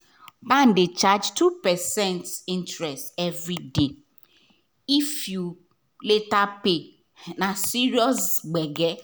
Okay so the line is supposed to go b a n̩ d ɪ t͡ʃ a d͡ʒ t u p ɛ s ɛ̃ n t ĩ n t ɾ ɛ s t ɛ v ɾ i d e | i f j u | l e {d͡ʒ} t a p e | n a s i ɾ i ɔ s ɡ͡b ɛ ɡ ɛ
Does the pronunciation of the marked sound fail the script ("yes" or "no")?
yes